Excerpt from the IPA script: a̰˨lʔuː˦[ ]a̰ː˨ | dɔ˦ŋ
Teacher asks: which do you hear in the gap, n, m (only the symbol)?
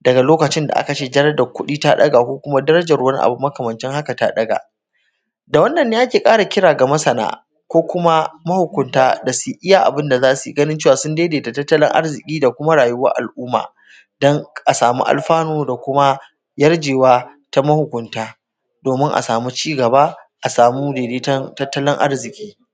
m